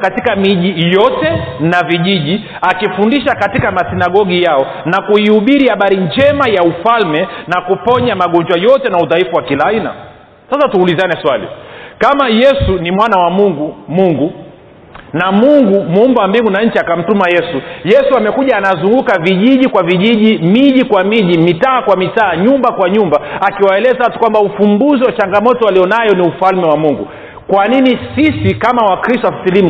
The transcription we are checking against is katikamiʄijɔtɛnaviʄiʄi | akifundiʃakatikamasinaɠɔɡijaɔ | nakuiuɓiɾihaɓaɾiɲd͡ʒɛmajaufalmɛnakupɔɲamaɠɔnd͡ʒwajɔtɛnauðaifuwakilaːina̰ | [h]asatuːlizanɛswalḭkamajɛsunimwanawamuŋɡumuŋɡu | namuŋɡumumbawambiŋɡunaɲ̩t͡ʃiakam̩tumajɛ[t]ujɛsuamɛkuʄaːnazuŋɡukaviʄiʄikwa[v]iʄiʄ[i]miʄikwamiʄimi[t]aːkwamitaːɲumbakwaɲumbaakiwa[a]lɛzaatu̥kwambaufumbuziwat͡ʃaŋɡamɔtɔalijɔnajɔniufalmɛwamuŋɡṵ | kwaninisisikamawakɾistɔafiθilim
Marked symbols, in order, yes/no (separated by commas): no, no, yes, yes, yes, no